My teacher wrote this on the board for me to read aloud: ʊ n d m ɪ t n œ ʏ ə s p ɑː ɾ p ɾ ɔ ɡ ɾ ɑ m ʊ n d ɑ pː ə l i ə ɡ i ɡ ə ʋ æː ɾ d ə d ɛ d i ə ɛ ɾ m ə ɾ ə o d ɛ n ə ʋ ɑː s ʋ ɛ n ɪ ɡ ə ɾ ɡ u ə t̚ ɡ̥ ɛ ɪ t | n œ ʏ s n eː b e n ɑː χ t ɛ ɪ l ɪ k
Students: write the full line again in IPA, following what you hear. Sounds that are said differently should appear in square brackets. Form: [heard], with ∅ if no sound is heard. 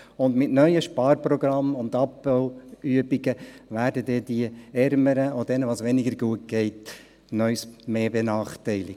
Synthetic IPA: ʊ n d m ɪ t n œ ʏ ə [ʃ] p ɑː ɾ p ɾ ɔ ɡ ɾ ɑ m ʊ n d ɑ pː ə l [y] ə [b] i ɡ ə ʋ æː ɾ d ə d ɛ d i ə ɛ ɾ m ə ɾ ə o d ɛ n ə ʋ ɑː s ʋ ɛ n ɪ ɡ ə ɾ ɡ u ə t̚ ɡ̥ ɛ ɪ t | n œ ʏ s [m] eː b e n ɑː χ t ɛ ɪ l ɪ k